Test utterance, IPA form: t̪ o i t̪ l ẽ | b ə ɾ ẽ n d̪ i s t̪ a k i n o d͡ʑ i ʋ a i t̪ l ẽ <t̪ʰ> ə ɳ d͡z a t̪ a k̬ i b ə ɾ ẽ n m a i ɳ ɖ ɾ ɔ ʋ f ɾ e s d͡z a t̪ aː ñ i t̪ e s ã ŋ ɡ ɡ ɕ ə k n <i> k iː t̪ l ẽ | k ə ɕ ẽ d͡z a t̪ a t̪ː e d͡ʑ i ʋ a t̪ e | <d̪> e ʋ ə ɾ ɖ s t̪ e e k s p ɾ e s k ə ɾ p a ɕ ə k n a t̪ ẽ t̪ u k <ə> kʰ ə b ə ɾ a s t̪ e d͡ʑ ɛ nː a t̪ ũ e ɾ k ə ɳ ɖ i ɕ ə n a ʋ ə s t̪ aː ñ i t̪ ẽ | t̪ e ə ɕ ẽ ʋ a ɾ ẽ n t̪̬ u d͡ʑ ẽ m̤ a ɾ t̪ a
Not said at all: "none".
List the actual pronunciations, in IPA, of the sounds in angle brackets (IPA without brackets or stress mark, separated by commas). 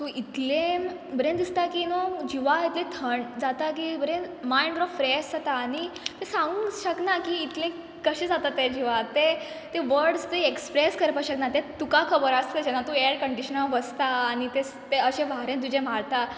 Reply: t̪ʰ, a, t̪, a